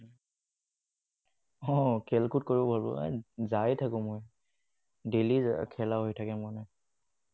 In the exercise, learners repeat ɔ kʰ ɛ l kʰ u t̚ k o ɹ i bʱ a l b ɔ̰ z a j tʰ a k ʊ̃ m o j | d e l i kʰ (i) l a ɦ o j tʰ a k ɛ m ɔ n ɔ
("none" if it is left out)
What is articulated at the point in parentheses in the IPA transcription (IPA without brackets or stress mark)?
ɛ